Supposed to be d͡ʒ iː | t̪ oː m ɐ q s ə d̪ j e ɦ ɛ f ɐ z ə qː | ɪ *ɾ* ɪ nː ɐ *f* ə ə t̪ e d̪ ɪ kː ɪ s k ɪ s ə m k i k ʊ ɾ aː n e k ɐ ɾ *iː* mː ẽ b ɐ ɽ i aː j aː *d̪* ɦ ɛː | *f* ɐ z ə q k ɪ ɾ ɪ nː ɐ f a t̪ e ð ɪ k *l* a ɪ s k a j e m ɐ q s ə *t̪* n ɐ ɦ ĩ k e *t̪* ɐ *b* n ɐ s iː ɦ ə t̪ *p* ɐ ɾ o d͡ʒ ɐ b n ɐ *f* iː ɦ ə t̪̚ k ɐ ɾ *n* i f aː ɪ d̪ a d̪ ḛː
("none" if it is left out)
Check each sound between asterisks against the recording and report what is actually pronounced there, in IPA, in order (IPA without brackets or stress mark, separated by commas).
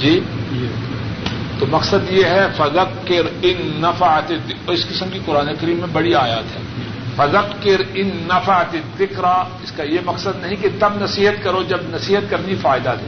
ɾ, f, iː, t̪, f, ɾ, d̪, t̪, b, k, s, n